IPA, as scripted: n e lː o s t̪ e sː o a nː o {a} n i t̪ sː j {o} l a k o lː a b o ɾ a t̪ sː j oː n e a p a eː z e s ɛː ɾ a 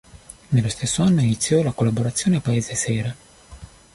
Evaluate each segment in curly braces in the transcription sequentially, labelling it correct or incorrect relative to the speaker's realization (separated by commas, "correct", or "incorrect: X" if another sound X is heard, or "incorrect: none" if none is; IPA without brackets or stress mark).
incorrect: i, incorrect: ɔ